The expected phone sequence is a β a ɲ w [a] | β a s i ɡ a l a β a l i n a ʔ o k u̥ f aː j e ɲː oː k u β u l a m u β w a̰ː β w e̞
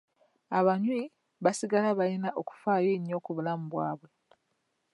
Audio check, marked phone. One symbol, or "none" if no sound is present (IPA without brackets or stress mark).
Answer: i